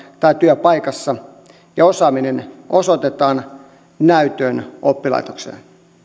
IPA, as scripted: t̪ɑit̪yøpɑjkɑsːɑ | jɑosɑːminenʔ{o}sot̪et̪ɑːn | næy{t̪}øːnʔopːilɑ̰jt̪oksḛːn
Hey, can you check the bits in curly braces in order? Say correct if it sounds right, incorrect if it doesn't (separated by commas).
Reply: correct, correct